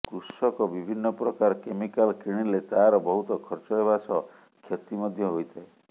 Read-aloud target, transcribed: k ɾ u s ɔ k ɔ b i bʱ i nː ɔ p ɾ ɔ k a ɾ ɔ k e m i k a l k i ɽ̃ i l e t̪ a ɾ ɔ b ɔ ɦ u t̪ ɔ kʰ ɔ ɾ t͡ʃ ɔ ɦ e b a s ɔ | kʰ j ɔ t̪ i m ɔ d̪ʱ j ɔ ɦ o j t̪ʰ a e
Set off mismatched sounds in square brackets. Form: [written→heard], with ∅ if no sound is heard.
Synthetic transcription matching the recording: k ɾ u s ɔ k ɔ b i bʱ i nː ɔ p ɾ ɔ k a ɾ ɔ k e m i k a l k i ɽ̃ i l e t̪ a ɾ ɔ b ɔ ɦ u t̪ ɔ kʰ ɔ ɾ t͡ʃ ɔ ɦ e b a s ɔ | kʰ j ɔ t̪ i m ɔ d̪ʱ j ɔ ɦ o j t̪ʰ a e